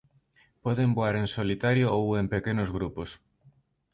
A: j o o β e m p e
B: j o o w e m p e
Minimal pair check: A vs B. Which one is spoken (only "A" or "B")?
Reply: B